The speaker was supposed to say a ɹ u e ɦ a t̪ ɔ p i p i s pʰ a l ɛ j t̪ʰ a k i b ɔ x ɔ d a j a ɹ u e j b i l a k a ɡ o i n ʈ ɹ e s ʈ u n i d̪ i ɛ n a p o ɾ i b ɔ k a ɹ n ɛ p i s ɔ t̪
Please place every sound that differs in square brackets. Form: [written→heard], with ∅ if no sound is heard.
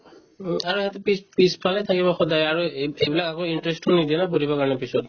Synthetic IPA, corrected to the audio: a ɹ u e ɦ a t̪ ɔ p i p i s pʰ a l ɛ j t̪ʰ a k i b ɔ x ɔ d a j a ɹ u e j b i l a k a [ɡ→k] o i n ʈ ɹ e s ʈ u n i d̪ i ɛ n a p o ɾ i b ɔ k a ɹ n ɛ p i s ɔ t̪